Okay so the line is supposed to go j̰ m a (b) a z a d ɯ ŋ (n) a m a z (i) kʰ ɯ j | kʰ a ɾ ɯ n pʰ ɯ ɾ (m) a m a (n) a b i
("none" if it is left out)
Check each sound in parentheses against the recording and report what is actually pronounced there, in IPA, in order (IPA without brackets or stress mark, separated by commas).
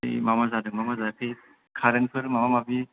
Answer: m, m, a, m, m